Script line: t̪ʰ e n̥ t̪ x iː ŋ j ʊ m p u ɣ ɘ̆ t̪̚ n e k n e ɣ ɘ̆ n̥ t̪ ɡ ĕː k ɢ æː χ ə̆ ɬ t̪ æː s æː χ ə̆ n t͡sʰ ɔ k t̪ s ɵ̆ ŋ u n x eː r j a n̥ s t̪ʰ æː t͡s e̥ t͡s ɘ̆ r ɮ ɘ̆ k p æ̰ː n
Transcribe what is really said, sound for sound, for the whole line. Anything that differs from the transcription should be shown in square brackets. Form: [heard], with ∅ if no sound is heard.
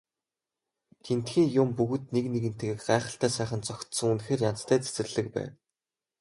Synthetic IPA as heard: t̪ʰ e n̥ t̪ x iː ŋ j ʊ m p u ɣ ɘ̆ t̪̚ n e k n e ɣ ɘ̆ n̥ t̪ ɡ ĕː k ɢ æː χ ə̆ ɬ t̪ æː s æː χ ə̆ n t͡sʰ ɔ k t̪ s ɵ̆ ŋ u n x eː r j a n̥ [t͡s] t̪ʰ æː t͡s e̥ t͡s ɘ̆ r ɮ ɘ̆ k p æ̰ː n